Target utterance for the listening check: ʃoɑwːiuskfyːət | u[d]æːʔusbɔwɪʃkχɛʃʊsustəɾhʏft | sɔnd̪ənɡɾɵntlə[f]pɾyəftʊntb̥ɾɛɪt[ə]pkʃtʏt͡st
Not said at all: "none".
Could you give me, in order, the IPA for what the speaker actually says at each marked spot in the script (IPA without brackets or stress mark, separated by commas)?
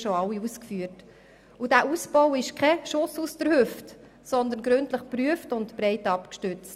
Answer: d, χ, ɑ